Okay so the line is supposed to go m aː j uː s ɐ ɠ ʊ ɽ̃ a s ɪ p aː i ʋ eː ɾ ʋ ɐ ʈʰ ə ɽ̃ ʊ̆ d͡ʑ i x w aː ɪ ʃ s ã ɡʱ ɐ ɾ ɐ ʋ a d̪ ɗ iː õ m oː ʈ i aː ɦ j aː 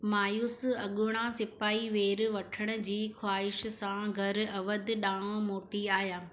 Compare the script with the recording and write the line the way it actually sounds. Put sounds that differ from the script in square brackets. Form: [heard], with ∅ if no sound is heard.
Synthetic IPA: m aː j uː s ɐ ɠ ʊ ɽ̃ a s ɪ p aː i ʋ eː ɾ ʋ ɐ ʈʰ ə ɽ̃ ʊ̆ d͡ʑ [iː] x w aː ɪ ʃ s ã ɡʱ ɐ ɾ ɐ ʋ [ə] d̪ ɗ [aː] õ m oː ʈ i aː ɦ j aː